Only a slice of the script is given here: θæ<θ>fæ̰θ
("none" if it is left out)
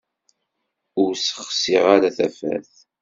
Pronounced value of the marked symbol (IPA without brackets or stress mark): none